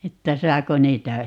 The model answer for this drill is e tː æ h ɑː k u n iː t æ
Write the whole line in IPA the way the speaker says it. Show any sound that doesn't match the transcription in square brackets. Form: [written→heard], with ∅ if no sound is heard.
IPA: e tː æ [h→s] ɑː k [u→o] n iː t æ